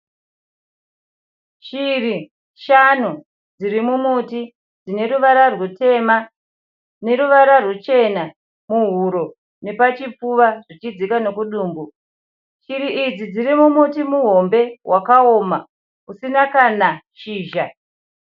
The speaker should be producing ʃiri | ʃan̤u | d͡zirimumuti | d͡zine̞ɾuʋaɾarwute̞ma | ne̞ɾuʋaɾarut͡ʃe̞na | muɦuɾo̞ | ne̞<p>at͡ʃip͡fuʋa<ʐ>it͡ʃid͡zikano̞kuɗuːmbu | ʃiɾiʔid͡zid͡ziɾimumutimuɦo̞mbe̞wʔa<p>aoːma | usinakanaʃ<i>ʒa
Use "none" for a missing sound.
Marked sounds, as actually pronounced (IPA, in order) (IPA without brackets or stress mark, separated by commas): p, ʐ, k, iː